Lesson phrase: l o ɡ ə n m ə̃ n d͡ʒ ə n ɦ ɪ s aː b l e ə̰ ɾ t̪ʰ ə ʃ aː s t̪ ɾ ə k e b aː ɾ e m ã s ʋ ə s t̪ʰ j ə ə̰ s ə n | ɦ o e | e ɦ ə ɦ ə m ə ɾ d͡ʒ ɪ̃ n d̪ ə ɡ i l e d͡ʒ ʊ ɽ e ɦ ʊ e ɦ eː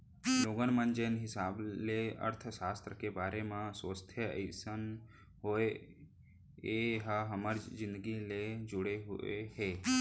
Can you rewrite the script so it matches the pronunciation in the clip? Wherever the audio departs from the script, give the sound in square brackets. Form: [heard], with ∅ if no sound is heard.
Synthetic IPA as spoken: l o ɡ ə n m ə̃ n d͡ʒ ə n ɦ ɪ s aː b l e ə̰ ɾ t̪ʰ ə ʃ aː s t̪ ɾ ə k e b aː ɾ e m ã s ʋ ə s t̪ʰ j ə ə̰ s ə n | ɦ o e | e ɦ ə ɦ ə m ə ɾ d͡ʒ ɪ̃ n d̪ ə ɡ i l e d͡ʒ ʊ ɽ e ɦ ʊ e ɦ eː